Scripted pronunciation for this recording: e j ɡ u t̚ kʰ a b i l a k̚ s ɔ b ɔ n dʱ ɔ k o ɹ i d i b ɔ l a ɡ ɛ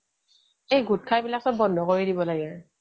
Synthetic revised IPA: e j ɡ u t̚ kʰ a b i l a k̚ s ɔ b ɔ n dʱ ɔ k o ɹ i d i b ɔ l a ɡ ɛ